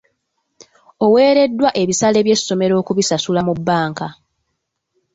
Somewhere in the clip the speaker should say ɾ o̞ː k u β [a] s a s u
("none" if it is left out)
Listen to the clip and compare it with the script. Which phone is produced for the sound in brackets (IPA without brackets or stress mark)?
i